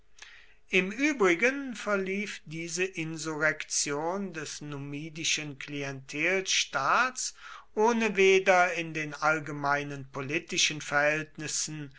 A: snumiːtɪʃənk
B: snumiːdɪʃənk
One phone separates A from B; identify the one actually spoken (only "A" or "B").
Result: B